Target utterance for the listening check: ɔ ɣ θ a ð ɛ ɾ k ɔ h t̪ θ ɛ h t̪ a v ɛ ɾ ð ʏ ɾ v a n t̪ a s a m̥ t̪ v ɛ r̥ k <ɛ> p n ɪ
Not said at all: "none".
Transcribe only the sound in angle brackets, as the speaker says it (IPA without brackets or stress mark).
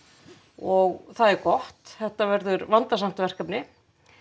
a